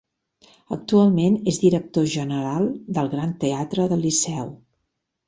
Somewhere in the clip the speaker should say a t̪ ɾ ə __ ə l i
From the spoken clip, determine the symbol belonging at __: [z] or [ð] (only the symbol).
ð